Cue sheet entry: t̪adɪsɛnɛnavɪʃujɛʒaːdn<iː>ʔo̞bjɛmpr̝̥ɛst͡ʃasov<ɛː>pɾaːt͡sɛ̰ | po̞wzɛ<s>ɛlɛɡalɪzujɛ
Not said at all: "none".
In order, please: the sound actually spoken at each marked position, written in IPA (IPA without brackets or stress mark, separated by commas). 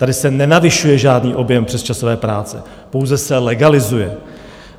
iː, ɛː, s